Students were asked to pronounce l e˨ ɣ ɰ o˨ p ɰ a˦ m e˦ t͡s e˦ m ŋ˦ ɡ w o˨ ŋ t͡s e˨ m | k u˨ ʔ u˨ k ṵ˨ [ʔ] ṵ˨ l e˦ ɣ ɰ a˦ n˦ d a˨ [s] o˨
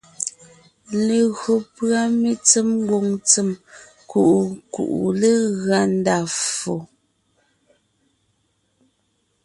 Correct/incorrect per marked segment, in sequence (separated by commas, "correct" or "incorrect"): correct, incorrect